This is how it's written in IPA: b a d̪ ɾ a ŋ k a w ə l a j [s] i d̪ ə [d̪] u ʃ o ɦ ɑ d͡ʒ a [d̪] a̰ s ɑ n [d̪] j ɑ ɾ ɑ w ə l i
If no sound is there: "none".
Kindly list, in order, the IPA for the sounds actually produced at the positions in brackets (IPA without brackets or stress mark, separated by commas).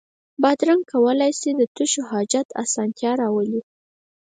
s, t̪, t̪, t̪